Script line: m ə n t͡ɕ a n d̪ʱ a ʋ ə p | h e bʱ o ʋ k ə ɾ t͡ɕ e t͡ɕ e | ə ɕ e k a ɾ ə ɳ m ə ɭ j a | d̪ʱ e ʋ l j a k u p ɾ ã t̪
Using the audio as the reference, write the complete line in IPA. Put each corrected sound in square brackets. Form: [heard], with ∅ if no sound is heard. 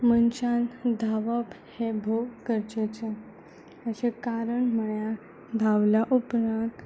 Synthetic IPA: m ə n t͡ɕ a n d̪ʱ a ʋ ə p | h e bʱ o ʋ k ə ɾ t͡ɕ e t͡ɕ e | ə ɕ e k a ɾ ə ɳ m ə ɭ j a | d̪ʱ [a] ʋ l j a [ʔ] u p ɾ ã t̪